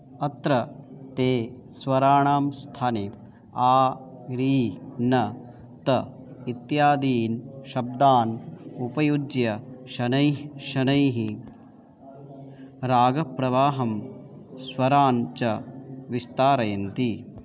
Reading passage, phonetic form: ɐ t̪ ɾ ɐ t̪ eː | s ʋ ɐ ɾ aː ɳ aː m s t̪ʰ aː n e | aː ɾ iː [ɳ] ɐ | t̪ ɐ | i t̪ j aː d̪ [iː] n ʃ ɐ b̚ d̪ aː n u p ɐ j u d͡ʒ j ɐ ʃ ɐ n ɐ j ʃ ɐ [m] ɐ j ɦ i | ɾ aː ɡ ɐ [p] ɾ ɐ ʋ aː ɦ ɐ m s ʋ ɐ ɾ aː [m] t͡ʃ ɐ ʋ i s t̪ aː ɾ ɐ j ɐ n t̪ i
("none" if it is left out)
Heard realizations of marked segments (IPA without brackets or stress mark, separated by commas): n, iː, n, p, n